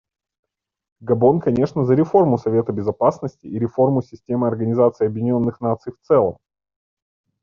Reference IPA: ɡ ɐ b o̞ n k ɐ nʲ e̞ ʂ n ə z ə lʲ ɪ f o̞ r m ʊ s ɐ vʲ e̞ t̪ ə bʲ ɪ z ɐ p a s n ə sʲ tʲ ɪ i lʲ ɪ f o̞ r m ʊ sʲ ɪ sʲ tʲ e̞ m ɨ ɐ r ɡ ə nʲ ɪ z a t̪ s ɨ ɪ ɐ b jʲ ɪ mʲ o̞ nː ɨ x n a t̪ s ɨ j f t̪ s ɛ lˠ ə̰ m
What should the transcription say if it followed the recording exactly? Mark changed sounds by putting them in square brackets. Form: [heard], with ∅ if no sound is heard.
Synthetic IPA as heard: ɡ ɐ b o̞ n k ɐ nʲ e̞ ʂ n ə z ə [ɾʲ] ɪ f o̞ r m ʊ s ɐ vʲ e̞ t̪ ə bʲ ɪ z ɐ p a s n ə sʲ tʲ ɪ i [ɾʲ] ɪ f o̞ r m ʊ sʲ ɪ sʲ tʲ e̞ m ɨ ɐ r ɡ ə nʲ ɪ z a t̪ s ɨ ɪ ɐ b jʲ ɪ [nʲ] o̞ nː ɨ x n a t̪ s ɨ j f t̪ s ɛ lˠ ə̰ m

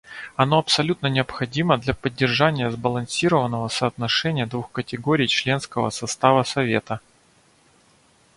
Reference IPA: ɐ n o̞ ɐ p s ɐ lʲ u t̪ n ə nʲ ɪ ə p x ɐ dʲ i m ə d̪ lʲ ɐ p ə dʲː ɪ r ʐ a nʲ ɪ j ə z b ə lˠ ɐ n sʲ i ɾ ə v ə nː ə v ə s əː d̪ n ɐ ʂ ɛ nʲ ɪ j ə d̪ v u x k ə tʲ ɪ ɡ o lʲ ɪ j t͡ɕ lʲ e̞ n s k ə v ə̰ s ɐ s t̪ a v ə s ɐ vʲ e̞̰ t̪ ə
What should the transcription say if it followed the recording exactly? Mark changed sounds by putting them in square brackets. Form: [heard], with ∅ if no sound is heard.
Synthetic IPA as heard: ɐ n o̞ ɐ p s ɐ lʲ u t̪ n ə nʲ ɪ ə p x ɐ dʲ i m ə d̪ lʲ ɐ p ə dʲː ɪ r ʐ a nʲ ɪ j ə z b ə lˠ ɐ n sʲ i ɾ ə v ə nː ə v ə s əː [t̪] n ɐ ʂ ɛ nʲ ɪ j ə d̪ v u x k ə tʲ ɪ ɡ o [ɾʲ] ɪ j t͡ɕ lʲ e̞ n s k ə v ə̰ s ɐ s t̪ a v ə s ɐ vʲ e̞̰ t̪ ə

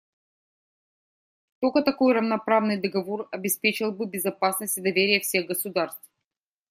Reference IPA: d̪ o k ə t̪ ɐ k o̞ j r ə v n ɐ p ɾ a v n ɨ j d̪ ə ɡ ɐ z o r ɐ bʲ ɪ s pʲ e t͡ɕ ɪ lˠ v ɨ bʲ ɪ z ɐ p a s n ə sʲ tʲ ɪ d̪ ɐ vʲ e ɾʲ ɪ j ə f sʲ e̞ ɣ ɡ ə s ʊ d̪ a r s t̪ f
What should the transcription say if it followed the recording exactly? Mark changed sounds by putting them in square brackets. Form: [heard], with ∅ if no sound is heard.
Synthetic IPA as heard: [t̪] o k ə t̪ ɐ k o̞ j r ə v n ɐ p ɾ a v n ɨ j d̪ ə ɡ ɐ [v] o r ɐ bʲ ɪ s pʲ e t͡ɕ ɪ lˠ [b] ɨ bʲ ɪ z ɐ p a s n ə sʲ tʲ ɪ d̪ ɐ vʲ e ɾʲ ɪ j ə f sʲ e̞ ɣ ɡ ə s ʊ d̪ a r s t̪ f

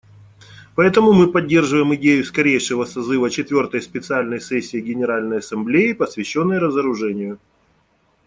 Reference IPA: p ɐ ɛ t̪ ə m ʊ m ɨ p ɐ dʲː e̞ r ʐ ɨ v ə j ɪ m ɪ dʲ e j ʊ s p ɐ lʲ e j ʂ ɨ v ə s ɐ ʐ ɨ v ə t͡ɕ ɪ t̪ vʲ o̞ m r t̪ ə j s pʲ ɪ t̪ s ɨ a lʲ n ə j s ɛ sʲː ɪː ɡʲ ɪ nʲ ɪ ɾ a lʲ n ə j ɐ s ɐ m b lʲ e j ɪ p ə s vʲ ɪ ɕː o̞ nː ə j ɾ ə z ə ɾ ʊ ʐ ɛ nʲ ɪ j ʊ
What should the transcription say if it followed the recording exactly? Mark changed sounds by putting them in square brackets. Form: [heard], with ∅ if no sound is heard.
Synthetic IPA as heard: p ɐ ɛ t̪ ə m ʊ m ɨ p ɐ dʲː e̞ r ʐ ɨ v ə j ɪ m ɪ dʲ e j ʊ s [k] ɐ [ɾʲ] e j ʂ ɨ v ə s ɐ [z] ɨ v ə t͡ɕ ɪ t̪ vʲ o̞ [∅] r t̪ ə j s pʲ ɪ t̪ s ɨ a lʲ n ə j s ɛ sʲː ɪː ɡʲ ɪ nʲ ɪ ɾ a lʲ n ə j ɐ s ɐ m b lʲ e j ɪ p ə s vʲ ɪ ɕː o̞ nː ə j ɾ ə z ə ɾ ʊ ʐ ɛ nʲ ɪ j ʊ

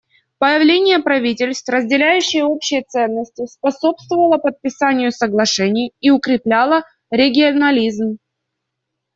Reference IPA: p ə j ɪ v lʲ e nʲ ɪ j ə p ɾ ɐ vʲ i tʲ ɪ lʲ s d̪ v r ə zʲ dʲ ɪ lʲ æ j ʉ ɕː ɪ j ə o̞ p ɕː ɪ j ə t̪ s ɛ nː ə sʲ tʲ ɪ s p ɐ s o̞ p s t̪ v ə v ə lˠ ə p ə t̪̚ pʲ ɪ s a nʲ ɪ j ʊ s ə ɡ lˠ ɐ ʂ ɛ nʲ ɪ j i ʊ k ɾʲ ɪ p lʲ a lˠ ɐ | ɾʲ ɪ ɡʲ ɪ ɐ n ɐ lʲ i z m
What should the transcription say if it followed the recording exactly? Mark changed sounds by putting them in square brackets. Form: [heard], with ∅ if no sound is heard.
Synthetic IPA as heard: p ə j ɪ v lʲ e nʲ ɪ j ə p ɾ ɐ vʲ i tʲ ɪ lʲ s [t̪] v r ə zʲ dʲ ɪ lʲ æ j ʉ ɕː ɪ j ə o̞ p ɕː ɪ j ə t̪ s ɛ nː ə sʲ tʲ ɪ s p ɐ s o̞ p s t̪ v ə v ə lˠ ə p ə t̪̚ pʲ ɪ s a nʲ ɪ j ʊ s ə ɡ lˠ ɐ ʂ ɛ nʲ ɪ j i ʊ k ɾʲ ɪ p lʲ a lˠ [ə] | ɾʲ ɪ ɡʲ ɪ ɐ n ɐ lʲ i z m

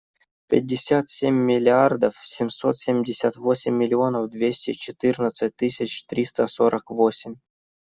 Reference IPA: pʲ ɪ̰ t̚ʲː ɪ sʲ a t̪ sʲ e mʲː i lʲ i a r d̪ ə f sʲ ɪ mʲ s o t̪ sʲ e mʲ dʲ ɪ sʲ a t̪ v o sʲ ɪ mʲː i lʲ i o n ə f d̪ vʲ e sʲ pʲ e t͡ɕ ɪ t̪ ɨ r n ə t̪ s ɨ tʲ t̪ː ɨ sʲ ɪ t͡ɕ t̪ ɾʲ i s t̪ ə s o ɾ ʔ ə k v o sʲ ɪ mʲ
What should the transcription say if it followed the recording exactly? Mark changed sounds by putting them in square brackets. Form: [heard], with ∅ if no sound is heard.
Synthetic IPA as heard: pʲ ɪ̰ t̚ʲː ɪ sʲ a t̪ sʲ e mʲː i lʲ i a r d̪ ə f sʲ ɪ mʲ s o t̪ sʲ e mʲ dʲ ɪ sʲ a t̪ v o sʲ ɪ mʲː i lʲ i o n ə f d̪ vʲ e sʲ [tʲ] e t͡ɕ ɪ t̪ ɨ r n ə t̪ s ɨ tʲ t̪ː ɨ sʲ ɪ t͡ɕ t̪ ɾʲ i s t̪ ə s o ɾ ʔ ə k v o sʲ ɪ mʲ

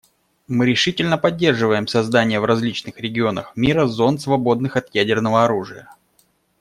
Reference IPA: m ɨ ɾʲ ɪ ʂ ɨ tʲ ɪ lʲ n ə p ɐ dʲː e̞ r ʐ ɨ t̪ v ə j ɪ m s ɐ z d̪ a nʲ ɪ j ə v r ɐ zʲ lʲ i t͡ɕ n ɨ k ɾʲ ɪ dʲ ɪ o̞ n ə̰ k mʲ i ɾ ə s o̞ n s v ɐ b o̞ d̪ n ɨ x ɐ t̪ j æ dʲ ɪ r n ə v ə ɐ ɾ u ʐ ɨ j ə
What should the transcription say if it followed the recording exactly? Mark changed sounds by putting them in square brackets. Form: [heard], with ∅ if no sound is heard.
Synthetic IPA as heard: m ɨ ɾʲ ɪ ʂ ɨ tʲ ɪ lʲ n ə p ɐ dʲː e̞ r ʐ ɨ [∅] v ə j ɪ m s ɐ z d̪ a nʲ ɪ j ə v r ɐ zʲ lʲ i t͡ɕ n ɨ [x] ɾʲ ɪ [ɡʲ] ɪ o̞ n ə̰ [x] mʲ i ɾ ə [z] o̞ n s v ɐ b o̞ d̪ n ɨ x ɐ t̪ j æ dʲ ɪ r n ə v ə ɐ ɾ u ʐ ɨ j ə

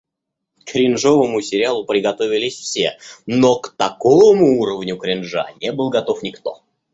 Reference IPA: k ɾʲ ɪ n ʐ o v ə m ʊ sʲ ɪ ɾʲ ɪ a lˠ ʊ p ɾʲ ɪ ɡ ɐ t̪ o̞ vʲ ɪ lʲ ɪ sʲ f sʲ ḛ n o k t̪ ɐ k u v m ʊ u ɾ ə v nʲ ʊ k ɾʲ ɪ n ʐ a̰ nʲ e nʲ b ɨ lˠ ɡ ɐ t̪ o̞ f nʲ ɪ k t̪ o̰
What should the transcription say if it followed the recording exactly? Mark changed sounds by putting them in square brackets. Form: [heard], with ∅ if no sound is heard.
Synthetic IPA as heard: k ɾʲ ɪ n ʐ o v ə m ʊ sʲ ɪ ɾʲ ɪ a lˠ ʊ p ɾʲ ɪ ɡ ɐ t̪ o̞ vʲ ɪ lʲ ɪ sʲ f sʲ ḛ n o k t̪ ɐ k [o] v m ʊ u ɾ ə v nʲ ʊ k ɾʲ ɪ n ʐ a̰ nʲ e [∅] b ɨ lˠ ɡ ɐ t̪ o̞ f nʲ ɪ k t̪ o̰

